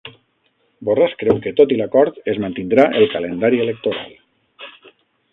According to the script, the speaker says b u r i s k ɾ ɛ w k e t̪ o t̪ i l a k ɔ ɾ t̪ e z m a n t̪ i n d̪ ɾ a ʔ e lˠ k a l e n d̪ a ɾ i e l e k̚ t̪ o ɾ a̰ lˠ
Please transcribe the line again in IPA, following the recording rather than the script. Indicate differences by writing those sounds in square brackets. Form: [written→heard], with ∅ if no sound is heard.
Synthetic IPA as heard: b [u→o] r [i→a] s k ɾ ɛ w k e t̪ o t̪ i l a k ɔ ɾ t̪ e z m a n t̪ i n d̪ ɾ a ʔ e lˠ k a l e n d̪ a ɾ i e l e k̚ t̪ o ɾ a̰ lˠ